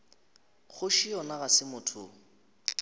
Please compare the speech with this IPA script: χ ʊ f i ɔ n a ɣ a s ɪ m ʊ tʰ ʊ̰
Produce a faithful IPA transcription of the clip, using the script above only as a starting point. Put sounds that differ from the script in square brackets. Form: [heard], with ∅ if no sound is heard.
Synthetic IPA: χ ʊ [ʃ] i ɔ n a ɣ a s ɪ m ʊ tʰ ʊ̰